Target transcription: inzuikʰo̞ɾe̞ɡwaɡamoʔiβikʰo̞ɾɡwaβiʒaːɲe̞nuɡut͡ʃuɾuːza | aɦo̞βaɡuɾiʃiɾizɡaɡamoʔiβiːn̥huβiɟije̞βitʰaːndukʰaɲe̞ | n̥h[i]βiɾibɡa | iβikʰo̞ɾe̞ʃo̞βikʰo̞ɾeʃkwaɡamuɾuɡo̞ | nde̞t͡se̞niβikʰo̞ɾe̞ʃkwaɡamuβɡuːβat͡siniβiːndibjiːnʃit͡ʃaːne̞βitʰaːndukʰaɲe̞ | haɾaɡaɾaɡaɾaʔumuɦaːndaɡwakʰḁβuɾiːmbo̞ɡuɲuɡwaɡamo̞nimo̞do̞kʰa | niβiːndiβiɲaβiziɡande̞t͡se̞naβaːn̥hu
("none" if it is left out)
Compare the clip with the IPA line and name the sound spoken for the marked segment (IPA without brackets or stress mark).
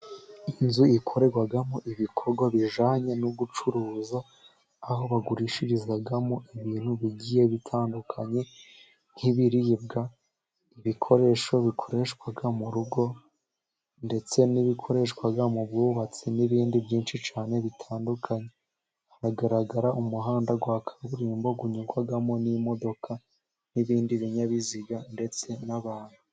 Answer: i